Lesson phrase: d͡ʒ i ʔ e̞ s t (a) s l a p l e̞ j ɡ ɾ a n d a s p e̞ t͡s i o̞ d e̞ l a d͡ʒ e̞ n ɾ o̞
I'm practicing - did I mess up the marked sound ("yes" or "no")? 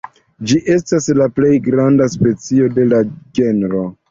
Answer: no